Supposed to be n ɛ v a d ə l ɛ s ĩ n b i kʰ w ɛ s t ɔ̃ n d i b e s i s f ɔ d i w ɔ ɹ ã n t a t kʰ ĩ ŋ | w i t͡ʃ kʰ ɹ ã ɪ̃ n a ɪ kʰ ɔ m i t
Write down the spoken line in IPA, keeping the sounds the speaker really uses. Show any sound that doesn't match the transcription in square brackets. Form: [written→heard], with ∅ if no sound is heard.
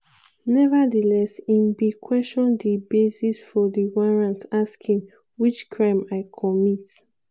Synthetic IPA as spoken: n ɛ v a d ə l ɛ s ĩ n b i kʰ w ɛ s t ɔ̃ n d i b e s i s f ɔ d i w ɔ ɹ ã n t a [t→s] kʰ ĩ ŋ | w i t͡ʃ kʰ ɹ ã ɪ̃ [n→m] a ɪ kʰ ɔ m i t